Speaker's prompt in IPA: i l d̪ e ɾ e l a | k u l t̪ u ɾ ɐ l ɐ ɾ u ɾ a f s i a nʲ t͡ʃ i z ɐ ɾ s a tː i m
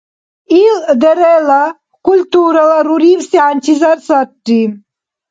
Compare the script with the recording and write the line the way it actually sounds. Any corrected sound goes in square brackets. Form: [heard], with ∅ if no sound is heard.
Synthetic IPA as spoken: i l d̪ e ɾ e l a | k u l t̪ u ɾ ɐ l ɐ ɾ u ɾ [i] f s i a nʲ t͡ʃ i z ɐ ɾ s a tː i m